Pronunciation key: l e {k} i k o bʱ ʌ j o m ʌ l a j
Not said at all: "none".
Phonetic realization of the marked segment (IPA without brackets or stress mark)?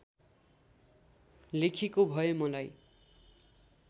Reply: kʰ